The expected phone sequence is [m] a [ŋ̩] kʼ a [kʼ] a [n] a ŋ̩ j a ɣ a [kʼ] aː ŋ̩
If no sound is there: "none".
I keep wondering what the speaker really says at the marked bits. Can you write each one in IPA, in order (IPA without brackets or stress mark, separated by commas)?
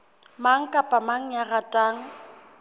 m, ŋ̩, pʼ, m, tʼ